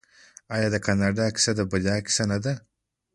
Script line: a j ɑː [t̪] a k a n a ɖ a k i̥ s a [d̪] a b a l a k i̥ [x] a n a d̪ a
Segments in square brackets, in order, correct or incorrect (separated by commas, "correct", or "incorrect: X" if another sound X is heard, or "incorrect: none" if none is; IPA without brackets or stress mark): incorrect: d̪, correct, incorrect: s